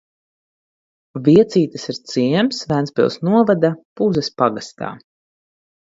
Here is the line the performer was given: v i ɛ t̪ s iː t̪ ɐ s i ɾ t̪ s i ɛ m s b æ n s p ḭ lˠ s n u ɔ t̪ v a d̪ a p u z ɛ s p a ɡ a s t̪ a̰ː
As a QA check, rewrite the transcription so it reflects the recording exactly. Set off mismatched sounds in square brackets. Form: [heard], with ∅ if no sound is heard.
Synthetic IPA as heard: v i ɛ t̪ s iː t̪ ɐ s i ɾ t̪ s i ɛ m s [v] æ n s p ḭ lˠ s n u ɔ [∅] v a d̪ a p u z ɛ s p a ɡ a s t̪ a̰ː

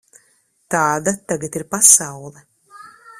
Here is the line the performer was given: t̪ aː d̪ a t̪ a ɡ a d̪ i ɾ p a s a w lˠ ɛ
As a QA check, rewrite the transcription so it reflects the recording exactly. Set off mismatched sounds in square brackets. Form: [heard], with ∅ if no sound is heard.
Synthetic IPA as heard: t̪ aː d̪ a t̪ a ɡ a [t̪] i ɾ p a s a w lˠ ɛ

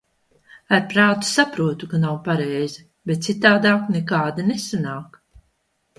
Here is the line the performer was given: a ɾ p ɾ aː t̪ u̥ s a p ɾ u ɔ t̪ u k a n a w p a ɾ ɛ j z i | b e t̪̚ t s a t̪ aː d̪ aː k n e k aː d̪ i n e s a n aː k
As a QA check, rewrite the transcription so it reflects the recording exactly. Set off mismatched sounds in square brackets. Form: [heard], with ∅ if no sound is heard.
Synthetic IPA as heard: a ɾ p ɾ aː t̪ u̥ s a p ɾ u ɔ t̪ u k a n a w p a ɾ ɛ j z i | b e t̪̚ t s [i] t̪ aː d̪ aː k n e k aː d̪ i n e s a n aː k

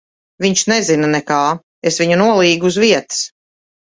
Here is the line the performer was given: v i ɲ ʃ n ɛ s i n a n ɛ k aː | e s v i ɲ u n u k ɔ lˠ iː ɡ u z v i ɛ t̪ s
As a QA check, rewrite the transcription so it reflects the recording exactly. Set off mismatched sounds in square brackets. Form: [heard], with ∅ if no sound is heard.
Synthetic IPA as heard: v i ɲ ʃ n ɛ [z] i n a n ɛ k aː | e s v i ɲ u n u [∅] ɔ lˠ iː ɡ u z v i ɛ t̪ s

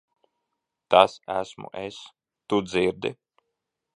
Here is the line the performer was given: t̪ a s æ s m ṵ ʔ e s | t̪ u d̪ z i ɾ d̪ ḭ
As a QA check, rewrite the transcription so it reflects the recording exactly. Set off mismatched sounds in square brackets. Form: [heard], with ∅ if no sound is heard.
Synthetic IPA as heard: t̪ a s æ s m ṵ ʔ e s | t̪ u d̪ z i ɾ d̪ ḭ

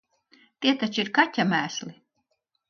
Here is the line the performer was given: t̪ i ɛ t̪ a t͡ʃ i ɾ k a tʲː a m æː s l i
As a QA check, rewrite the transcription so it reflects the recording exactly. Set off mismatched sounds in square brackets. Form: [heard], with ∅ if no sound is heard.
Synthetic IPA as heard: t̪ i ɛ t̪ a t͡ʃ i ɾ k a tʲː a m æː s l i

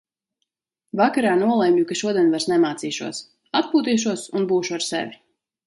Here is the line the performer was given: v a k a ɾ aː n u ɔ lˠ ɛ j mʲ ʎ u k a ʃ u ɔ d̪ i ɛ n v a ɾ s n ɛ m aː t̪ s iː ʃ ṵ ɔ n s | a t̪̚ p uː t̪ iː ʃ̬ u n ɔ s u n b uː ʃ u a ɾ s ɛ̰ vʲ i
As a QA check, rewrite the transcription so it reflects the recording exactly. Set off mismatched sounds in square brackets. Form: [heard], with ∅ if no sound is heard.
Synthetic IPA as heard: v a k a ɾ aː n u ɔ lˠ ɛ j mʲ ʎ u k a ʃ u ɔ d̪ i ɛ n v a ɾ s n ɛ m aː t̪ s iː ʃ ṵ ɔ [∅] s | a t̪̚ p uː t̪ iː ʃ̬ u [∅] ɔ s u n b uː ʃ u a ɾ s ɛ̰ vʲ i

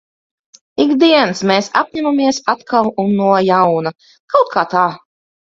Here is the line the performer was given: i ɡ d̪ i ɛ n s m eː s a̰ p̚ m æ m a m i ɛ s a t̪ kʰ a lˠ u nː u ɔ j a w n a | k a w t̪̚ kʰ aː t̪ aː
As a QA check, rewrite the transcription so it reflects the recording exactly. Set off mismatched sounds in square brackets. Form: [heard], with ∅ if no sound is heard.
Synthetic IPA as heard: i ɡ d̪ i ɛ n s m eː s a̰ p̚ [ɲ] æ m a m i ɛ s a t̪ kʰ a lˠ u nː u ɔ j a w n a | k a w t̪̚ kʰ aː t̪ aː

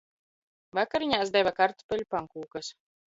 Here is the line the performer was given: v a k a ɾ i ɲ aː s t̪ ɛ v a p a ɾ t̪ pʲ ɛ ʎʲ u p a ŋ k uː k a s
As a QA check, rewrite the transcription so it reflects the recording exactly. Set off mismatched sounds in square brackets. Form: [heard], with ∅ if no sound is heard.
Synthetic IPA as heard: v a k a ɾ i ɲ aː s [d̪] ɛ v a [k] a ɾ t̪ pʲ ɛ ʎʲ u p a ŋ k uː k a s

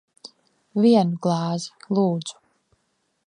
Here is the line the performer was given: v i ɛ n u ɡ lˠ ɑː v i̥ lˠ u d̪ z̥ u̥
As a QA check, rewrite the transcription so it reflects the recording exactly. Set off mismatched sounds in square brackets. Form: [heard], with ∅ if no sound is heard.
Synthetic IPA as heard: v i ɛ n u ɡ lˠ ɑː [z] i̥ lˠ [uː] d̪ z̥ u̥

